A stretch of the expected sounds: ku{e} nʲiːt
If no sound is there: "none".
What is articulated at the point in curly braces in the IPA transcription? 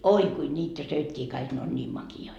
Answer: i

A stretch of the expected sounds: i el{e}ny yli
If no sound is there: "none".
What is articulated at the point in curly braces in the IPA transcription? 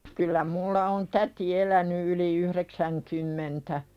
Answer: æ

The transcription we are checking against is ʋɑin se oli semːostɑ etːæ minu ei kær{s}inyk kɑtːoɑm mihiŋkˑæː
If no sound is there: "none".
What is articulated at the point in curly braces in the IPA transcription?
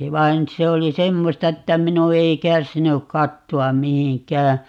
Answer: s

